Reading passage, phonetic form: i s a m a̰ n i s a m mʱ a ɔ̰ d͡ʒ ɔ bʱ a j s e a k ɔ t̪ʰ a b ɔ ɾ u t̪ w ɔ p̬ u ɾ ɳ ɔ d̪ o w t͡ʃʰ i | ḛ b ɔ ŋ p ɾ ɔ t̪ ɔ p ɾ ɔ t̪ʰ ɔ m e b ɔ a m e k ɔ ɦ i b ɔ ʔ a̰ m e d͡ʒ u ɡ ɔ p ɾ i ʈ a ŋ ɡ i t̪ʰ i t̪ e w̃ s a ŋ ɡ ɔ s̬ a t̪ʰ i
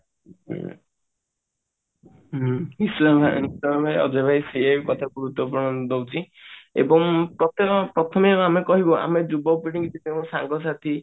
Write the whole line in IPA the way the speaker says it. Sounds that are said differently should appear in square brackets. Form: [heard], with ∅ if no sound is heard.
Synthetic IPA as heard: i s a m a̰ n i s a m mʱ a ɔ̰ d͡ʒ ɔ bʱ a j s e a k ɔ t̪ʰ a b [u] ɾ u t̪ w ɔ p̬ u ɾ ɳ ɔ d̪ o w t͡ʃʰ i | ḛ b ɔ ŋ p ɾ ɔ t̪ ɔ p ɾ ɔ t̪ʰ ɔ m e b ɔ a m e k ɔ ɦ i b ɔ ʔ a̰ m e d͡ʒ u [b] ɔ p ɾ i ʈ [i] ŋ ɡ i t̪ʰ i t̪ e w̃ s a ŋ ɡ ɔ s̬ a t̪ʰ i